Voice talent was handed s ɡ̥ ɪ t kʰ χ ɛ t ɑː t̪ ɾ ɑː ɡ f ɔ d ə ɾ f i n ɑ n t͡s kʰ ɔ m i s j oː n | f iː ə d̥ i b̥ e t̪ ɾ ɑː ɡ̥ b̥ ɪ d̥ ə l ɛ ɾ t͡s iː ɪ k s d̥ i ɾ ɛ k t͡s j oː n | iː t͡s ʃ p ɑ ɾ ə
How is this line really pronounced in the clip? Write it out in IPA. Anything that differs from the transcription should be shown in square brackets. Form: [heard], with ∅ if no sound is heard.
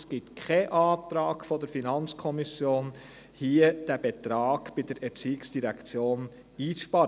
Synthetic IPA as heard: s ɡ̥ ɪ t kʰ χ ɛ [ʔ] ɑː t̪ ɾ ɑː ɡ f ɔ d ə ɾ f i n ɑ n t͡s kʰ ɔ m i s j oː n | [h] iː ə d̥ [æ] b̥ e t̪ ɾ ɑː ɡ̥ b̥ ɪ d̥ ə [ɾ] ɛ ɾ t͡s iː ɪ k s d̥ i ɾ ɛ k t͡s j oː n | iː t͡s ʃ p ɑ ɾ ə

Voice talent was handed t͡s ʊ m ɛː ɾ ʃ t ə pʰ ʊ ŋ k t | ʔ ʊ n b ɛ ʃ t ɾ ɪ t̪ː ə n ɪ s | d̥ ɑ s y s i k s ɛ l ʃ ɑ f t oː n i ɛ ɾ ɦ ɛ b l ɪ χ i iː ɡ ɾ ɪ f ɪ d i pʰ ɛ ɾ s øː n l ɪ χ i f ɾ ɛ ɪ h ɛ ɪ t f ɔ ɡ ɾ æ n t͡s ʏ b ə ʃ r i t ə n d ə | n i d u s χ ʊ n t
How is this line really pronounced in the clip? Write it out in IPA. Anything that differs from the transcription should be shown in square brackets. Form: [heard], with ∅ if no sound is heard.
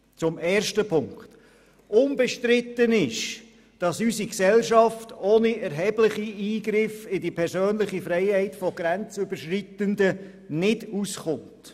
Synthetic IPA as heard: t͡s ʊ m ɛː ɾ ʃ t ə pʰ ʊ ŋ k t | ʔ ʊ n b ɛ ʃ t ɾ ɪ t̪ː ə n ɪ [ʃ] | d̥ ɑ s y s i k s ɛ l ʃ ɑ f t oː n i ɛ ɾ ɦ ɛ b l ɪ χ i iː ɡ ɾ ɪ f ɪ d i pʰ ɛ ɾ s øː n l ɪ χ i f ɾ ɛ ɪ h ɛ ɪ t f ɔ ɡ ɾ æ n t͡s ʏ b ə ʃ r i t ə n d ə | n [ɪ] d u s χ ʊ n t

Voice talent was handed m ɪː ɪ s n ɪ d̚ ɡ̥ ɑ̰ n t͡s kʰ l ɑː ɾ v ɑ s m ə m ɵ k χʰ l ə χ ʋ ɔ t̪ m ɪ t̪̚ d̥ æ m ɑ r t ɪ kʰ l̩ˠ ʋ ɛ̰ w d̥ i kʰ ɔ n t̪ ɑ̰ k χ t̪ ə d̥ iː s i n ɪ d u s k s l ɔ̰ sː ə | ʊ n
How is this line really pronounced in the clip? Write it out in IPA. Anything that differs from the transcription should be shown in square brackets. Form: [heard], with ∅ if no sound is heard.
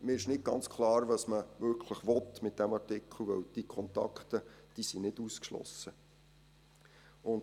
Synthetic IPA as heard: m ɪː ɪ [ʃ] n ɪ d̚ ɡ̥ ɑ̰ n t͡s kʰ l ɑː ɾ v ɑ s m ə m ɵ k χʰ l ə χ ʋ ɔ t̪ m ɪ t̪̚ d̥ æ m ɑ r t ɪ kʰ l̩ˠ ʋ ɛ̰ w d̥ i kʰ ɔ n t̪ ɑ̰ k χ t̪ ə d̥ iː s i n ɪ d u s k [ʃ] l ɔ̰ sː ə | ʊ n

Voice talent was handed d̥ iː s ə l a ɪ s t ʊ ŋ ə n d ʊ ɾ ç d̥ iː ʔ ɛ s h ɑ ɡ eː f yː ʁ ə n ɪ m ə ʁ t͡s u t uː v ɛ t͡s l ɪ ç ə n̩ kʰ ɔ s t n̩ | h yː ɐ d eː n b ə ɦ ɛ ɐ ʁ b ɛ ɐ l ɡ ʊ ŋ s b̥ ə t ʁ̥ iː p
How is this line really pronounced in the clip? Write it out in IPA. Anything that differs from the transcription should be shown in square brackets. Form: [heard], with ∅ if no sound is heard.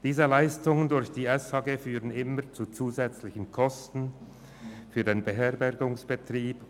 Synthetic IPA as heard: d̥ iː [z] ə l a ɪ s t ʊ ŋ ə n d ʊ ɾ ç d̥ iː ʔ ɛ s h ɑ ɡ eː f yː ʁ ə n ɪ m ə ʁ t͡s u [t͡s] uː [z] ɛ t͡s l ɪ ç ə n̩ kʰ ɔ s t n̩ | [f] yː ɐ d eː n b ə ɦ ɛ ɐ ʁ b ɛ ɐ [∅] ɡ ʊ ŋ s b̥ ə t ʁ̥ iː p

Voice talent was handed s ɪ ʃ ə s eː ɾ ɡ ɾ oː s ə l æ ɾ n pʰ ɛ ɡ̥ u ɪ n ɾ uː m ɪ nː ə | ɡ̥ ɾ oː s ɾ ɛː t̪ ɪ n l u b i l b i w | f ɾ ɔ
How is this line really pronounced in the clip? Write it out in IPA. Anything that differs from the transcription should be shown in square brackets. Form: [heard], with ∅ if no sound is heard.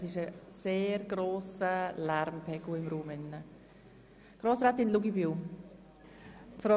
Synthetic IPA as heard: s ɪ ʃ ə s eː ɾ ɡ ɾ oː s ə l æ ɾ [m] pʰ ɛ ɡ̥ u ɪ [m] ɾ uː m ɪ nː ə | ɡ̥ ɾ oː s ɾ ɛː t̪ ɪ n l u [ɡ] i [∅] b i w | f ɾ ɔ

